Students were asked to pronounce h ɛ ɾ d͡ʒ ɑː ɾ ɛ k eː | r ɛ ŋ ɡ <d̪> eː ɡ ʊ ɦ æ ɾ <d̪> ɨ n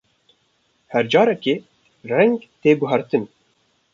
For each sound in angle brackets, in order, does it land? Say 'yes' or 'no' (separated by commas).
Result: no, no